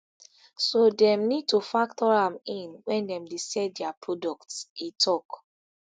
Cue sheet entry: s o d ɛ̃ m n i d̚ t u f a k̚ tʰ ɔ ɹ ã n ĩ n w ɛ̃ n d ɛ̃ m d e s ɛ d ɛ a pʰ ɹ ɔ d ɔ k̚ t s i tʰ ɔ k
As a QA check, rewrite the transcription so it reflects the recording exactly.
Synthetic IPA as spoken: s o d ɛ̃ m n i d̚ t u f a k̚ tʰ ɔ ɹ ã m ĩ n w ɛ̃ n d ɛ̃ m d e s ɛ d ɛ a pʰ ɹ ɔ d ɔ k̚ t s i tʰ ɔ k